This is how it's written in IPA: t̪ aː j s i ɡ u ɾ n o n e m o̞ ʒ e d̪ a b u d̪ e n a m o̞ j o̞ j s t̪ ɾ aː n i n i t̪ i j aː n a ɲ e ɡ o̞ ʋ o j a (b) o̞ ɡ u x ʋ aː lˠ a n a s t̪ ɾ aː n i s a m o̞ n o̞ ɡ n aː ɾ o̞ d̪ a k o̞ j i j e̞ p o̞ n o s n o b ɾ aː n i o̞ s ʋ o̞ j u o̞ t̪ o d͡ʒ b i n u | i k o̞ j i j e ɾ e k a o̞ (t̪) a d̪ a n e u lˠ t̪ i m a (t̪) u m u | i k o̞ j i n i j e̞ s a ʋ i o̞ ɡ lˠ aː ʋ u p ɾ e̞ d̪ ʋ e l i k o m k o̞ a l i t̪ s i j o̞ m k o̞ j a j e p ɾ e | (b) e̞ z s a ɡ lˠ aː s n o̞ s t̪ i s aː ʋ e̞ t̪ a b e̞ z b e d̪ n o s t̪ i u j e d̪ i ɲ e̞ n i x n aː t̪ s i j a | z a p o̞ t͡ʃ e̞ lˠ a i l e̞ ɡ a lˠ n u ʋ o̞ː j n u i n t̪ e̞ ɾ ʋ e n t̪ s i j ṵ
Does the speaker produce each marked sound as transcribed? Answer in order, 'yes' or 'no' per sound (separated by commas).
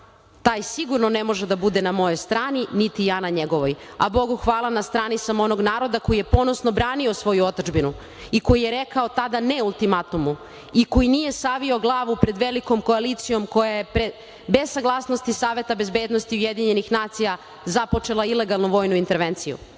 yes, yes, yes, yes